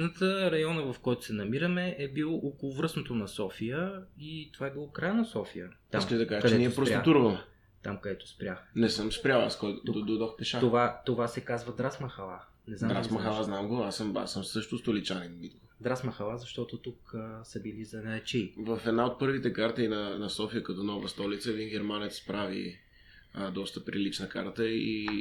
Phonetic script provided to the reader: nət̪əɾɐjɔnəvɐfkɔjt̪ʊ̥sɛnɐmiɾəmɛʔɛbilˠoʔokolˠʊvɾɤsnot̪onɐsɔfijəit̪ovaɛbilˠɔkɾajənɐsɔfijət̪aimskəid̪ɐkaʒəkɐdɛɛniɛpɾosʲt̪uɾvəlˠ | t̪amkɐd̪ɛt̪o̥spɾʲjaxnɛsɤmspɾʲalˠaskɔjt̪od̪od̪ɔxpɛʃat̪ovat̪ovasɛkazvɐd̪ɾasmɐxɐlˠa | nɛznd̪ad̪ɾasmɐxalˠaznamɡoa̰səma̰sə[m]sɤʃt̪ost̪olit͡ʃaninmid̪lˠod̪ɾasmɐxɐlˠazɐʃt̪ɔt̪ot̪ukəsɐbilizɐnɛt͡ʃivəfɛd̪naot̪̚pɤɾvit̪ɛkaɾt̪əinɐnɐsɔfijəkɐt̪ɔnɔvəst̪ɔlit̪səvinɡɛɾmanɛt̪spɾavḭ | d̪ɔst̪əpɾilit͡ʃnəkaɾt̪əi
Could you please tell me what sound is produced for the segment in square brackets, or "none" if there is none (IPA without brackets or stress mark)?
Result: m